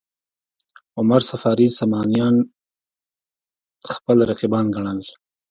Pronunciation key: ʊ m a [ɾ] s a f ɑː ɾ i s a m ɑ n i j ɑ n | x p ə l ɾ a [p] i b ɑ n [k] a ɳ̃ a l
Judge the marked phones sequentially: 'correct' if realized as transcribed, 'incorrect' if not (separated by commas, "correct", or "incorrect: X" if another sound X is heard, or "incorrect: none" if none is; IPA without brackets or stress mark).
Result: correct, incorrect: q, incorrect: ɡ